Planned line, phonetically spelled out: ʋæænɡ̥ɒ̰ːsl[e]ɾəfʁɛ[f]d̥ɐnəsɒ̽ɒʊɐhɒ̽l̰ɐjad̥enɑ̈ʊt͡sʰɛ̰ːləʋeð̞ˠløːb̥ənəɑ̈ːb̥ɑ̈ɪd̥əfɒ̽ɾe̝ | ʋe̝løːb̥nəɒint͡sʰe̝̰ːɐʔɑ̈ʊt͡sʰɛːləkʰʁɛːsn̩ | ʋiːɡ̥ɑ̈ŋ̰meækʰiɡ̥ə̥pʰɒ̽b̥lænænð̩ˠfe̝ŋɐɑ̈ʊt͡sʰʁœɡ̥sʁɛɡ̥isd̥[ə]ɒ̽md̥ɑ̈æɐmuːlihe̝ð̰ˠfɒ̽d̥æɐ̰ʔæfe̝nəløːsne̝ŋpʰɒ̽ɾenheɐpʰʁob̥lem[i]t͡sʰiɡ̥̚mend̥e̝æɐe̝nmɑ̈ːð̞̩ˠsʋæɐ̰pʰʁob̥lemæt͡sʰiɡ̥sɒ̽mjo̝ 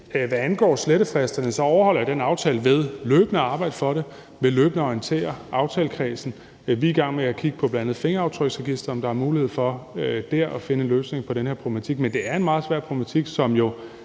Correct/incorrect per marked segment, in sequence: correct, incorrect: s, incorrect: ɐ, incorrect: æ

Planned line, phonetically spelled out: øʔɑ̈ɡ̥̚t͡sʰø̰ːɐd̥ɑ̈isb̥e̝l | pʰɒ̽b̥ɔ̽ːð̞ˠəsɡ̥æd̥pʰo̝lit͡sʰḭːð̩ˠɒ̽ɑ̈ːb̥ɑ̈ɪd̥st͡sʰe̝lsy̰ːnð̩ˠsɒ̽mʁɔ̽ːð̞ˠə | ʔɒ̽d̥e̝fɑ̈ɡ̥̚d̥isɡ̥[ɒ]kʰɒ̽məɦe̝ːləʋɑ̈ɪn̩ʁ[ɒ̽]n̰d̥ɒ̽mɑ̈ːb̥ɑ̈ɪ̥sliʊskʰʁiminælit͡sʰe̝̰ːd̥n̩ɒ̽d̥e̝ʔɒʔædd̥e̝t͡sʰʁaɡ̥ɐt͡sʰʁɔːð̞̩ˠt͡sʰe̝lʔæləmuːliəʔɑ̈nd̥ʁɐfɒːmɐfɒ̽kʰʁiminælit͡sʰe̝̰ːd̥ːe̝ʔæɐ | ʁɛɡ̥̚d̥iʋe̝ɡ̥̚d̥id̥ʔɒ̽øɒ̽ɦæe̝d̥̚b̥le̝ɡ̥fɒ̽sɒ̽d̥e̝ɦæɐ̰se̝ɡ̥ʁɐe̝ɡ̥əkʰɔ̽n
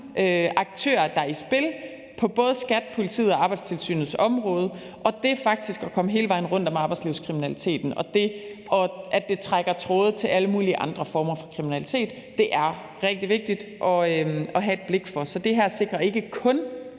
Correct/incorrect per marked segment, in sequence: correct, incorrect: ɔ̽

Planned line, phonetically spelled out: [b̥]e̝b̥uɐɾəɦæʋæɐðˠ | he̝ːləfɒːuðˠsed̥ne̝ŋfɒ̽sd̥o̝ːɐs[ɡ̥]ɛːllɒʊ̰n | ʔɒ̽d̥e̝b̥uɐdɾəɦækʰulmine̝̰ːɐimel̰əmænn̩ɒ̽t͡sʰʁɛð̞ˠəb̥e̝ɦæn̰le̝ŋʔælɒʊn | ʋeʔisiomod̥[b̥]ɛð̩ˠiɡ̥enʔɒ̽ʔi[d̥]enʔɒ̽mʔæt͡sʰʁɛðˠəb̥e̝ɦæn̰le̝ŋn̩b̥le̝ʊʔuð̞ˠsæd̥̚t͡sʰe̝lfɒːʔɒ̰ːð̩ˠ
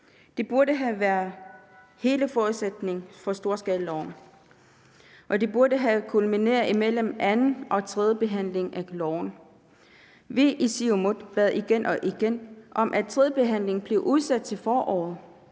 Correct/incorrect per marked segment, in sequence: incorrect: d̥, correct, correct, incorrect: ɡ̥

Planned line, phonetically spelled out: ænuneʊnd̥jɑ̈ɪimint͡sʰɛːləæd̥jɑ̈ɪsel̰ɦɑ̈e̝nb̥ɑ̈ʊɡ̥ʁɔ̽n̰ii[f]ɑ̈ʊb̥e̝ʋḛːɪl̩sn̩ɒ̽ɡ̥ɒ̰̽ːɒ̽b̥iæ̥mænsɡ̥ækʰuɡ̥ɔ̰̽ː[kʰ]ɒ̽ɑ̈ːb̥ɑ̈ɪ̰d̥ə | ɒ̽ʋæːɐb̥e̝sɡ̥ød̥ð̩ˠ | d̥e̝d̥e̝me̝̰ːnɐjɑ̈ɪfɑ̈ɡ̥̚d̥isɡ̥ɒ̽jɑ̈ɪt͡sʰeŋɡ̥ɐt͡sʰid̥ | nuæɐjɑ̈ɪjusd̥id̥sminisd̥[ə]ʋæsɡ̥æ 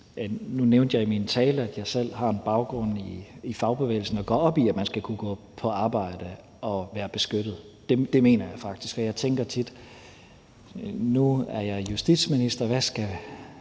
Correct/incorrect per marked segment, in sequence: correct, incorrect: pʰ, incorrect: ɐ

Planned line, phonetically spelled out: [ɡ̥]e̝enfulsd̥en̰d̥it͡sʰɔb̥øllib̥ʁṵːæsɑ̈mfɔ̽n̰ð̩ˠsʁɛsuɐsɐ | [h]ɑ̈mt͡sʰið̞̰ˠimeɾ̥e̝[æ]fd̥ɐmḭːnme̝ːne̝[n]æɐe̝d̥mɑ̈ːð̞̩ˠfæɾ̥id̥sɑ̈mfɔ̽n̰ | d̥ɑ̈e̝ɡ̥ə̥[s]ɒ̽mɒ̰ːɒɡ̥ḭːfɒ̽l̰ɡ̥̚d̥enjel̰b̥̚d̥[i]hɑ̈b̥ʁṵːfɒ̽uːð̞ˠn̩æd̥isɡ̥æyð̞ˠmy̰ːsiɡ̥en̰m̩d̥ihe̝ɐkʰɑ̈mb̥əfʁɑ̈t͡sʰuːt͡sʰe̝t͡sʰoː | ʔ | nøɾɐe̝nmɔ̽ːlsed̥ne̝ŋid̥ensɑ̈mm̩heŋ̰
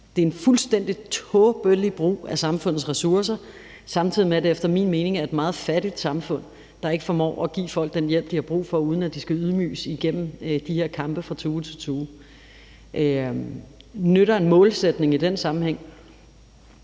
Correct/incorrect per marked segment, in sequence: incorrect: d̥, incorrect: s, incorrect: e, incorrect: ŋ, incorrect: f, correct

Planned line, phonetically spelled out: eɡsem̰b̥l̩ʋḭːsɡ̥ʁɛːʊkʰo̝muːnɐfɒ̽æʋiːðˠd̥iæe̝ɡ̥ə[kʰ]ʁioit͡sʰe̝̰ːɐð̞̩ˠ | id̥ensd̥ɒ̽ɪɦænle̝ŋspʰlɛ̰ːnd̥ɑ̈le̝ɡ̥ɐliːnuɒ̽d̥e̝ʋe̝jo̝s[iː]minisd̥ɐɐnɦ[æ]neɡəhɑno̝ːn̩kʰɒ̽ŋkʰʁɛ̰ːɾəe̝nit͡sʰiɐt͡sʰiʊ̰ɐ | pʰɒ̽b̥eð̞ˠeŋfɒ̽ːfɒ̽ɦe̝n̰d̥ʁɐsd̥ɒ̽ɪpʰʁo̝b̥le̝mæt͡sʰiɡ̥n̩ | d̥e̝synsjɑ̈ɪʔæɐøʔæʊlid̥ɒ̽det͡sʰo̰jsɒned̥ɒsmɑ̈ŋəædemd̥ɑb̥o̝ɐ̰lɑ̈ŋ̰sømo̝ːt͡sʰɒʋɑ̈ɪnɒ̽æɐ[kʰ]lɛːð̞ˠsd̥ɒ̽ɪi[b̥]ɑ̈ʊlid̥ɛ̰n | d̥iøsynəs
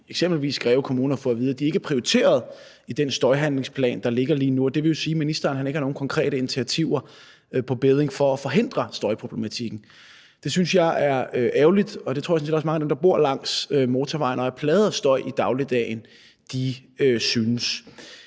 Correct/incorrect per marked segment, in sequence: incorrect: pʰ, correct, correct, incorrect: pʰ, incorrect: d̥

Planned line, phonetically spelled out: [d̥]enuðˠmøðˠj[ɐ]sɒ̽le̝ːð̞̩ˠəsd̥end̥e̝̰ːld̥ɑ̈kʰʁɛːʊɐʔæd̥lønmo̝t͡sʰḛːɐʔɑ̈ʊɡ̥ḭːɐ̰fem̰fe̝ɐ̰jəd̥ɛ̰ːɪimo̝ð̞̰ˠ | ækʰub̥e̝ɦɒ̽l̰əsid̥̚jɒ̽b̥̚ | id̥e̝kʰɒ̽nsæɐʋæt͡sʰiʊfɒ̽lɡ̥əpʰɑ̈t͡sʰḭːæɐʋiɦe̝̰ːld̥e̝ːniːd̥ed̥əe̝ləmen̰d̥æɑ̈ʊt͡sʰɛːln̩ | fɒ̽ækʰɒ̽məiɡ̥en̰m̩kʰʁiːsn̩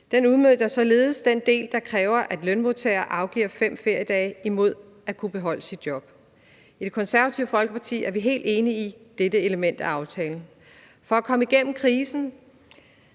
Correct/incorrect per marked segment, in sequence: correct, correct

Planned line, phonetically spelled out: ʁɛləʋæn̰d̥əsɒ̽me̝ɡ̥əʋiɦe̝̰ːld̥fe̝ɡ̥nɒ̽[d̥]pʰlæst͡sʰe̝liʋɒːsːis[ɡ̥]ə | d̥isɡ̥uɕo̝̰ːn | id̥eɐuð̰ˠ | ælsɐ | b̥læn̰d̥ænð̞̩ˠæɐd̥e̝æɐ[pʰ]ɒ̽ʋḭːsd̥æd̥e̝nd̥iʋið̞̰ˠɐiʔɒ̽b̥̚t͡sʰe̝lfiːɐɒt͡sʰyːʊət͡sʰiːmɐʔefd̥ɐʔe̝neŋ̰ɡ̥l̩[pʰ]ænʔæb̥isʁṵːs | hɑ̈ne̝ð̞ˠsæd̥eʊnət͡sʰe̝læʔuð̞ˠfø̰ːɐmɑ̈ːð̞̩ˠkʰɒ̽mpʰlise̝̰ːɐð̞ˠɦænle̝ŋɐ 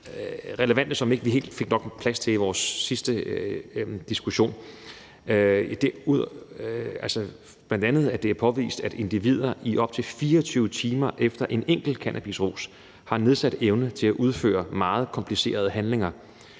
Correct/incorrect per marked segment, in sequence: incorrect: ɡ̥, incorrect: d̥, correct, incorrect: kʰ

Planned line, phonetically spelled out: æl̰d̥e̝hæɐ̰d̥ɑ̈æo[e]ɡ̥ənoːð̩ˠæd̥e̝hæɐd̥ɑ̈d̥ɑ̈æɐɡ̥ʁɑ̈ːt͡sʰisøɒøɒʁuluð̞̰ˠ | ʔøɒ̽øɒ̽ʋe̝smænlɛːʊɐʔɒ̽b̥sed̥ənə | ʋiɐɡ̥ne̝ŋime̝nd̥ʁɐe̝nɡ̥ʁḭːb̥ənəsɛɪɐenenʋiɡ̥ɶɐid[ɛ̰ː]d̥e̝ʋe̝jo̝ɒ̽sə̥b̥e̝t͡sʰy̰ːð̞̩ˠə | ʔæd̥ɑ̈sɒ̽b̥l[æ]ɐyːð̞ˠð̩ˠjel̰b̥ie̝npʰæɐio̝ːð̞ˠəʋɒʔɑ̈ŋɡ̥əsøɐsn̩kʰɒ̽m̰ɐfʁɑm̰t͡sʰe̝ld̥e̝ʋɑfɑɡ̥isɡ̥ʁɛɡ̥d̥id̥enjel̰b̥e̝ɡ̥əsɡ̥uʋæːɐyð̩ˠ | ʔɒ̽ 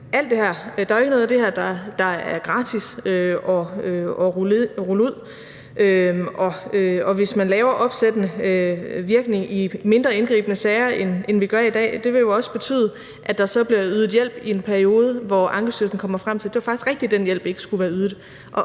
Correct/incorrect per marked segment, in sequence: correct, correct, incorrect: i

